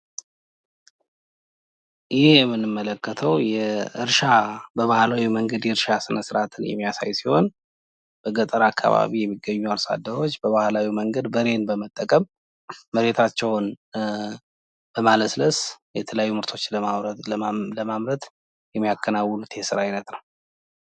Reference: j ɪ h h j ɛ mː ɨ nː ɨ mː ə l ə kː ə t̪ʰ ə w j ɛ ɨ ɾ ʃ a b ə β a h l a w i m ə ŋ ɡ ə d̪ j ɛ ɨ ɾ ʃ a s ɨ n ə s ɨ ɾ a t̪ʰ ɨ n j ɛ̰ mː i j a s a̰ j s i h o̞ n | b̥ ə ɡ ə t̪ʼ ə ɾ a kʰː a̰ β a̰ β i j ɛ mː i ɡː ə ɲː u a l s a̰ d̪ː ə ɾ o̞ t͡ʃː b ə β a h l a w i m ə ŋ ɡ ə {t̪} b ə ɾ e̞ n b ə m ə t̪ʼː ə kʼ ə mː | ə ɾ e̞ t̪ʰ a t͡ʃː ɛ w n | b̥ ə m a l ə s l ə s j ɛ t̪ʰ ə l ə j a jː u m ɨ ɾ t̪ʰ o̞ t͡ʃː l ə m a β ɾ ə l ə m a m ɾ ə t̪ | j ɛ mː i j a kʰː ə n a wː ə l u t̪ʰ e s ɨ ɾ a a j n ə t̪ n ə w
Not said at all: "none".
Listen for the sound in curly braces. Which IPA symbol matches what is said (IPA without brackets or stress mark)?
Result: d̪